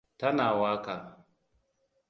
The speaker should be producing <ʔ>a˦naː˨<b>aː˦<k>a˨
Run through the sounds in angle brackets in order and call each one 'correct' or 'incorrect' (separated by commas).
incorrect, incorrect, correct